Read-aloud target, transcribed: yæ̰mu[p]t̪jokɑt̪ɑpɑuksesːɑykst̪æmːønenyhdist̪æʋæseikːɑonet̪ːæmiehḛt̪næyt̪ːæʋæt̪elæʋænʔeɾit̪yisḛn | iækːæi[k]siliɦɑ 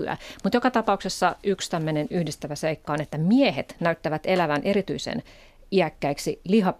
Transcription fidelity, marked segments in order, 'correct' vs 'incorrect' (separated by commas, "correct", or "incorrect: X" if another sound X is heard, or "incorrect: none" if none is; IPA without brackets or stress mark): incorrect: none, correct